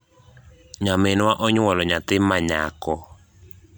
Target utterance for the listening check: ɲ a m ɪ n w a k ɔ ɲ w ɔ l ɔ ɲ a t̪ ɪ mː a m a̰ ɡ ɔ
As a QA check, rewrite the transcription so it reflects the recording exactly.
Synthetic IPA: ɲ a m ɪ n w a ʔ ɔ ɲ w ɔ l ɔ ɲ a t̪ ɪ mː a ɲ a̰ k ɔ

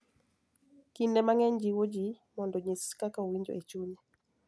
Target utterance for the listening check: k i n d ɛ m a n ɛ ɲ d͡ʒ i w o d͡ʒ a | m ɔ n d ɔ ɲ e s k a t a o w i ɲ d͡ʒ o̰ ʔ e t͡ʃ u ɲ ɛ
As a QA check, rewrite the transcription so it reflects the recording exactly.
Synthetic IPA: k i n d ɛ m a ŋ ɛ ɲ d͡ʒ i w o d͡ʒ i | m ɔ n d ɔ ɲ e s k a k a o w i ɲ d͡ʒ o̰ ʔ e t͡ʃ u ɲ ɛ

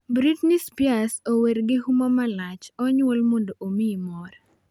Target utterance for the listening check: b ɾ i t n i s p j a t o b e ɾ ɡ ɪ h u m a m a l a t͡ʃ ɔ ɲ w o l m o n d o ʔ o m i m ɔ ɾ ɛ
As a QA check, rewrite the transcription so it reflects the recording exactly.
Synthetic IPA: b ɾ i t n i s p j a s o w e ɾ ɡ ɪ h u m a m a l a t͡ʃ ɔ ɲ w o l m o n d o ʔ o m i m ɔ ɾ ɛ

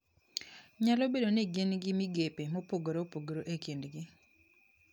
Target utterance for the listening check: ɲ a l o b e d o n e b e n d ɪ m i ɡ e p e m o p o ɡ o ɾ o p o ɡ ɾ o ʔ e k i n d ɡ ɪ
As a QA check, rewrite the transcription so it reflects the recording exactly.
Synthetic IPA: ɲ a l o b e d o n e ɡ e n ɡ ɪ m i ɡ e p e m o p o ɡ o ɾ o p o ɡ ɾ o ʔ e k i n d ɡ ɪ

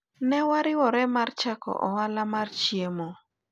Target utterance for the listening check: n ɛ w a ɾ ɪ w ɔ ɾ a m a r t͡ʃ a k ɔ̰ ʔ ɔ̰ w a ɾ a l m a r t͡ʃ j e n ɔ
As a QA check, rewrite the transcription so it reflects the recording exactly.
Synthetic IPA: n ɛ w a ɾ ɪ w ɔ ɾ ɛ m a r t͡ʃ a k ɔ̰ ʔ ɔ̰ w a l a m a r t͡ʃ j e m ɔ

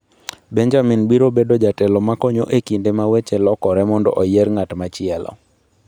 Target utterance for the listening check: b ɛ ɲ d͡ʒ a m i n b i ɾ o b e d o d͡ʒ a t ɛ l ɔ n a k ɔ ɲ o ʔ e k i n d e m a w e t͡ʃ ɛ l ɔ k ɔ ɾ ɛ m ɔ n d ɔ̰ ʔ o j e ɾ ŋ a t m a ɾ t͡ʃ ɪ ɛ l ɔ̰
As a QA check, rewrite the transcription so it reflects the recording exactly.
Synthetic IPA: b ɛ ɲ d͡ʒ a m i n b i ɾ o b e d o d͡ʒ a t ɛ l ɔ m a k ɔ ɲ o ʔ e k i n d e m a w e t͡ʃ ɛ l ɔ k ɔ ɾ ɛ m ɔ n d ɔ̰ ʔ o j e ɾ ŋ a t m a t͡ʃ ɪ ɛ l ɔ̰

